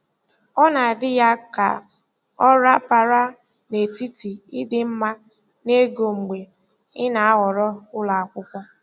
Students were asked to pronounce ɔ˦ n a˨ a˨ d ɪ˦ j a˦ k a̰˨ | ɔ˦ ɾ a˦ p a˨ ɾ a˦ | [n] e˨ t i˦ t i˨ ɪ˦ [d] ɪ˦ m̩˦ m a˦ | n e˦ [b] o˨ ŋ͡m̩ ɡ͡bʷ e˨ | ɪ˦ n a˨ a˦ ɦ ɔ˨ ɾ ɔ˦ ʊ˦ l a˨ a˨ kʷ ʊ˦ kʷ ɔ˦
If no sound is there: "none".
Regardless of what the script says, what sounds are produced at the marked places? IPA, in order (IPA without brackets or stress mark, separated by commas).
n, d, ɡ